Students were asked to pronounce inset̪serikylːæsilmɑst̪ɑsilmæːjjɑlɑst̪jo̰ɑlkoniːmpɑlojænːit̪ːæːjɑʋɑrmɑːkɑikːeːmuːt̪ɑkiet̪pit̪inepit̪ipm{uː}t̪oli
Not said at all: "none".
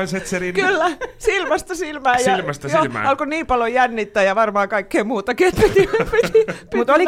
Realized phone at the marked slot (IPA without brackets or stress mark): u